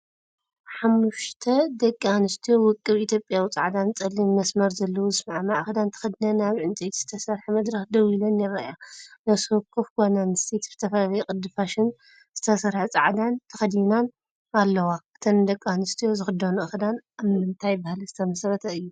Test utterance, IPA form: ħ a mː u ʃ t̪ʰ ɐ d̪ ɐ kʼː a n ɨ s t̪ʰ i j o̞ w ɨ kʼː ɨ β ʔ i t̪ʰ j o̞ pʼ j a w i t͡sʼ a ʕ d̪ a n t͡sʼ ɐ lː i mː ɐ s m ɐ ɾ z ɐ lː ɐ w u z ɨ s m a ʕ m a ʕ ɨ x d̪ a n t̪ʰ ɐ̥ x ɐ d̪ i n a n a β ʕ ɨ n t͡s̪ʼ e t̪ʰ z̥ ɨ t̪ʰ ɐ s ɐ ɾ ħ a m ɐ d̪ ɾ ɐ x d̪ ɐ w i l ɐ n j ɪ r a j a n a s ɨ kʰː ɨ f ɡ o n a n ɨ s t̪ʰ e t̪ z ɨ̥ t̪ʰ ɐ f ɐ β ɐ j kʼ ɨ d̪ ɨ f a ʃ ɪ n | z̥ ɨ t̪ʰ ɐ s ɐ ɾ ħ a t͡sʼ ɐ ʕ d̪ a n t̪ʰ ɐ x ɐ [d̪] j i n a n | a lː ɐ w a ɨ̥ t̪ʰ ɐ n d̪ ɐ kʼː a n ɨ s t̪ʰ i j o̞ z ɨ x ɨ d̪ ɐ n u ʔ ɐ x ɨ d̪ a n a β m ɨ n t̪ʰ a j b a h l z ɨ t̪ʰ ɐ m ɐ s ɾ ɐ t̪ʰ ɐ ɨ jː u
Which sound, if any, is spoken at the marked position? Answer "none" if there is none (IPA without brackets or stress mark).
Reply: d̪